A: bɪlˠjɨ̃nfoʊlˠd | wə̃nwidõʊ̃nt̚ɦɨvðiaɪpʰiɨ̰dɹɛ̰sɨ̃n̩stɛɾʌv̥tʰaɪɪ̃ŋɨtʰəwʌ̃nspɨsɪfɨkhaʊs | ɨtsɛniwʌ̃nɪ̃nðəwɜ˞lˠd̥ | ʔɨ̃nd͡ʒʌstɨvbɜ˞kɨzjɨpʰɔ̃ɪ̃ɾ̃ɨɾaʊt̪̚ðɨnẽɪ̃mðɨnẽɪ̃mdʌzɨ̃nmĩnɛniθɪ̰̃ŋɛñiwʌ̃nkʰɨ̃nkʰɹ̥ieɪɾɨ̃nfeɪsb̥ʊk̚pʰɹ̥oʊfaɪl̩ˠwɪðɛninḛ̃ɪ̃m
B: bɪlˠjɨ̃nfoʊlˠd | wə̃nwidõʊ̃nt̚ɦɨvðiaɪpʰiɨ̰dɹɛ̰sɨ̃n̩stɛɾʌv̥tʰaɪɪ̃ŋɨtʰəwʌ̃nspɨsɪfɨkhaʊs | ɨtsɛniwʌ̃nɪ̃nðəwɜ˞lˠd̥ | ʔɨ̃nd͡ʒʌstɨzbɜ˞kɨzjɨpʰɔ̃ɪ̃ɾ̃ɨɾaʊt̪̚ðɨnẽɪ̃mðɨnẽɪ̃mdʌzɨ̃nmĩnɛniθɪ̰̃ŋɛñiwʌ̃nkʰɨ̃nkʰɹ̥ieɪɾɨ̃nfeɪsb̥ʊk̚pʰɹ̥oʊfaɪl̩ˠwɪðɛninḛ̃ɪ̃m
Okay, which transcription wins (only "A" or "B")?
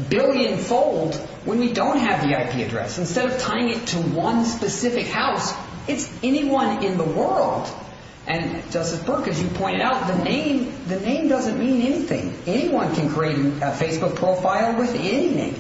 B